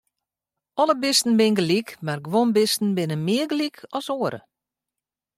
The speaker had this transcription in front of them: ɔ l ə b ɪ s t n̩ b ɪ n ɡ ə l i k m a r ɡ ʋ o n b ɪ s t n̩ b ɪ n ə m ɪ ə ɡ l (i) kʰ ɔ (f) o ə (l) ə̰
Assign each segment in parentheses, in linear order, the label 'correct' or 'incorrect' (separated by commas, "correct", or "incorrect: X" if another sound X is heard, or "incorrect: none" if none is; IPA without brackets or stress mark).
correct, incorrect: s, incorrect: ɾ